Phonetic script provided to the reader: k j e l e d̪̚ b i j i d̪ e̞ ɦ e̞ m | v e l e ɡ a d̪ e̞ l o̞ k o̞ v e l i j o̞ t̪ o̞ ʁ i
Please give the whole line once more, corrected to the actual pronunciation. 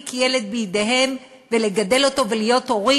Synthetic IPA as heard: k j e l e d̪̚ b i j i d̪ e̞ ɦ e̞ m | v e l e ɡ a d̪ e̞ l o̞ t o̞ v e l i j o̞ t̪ o̞ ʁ i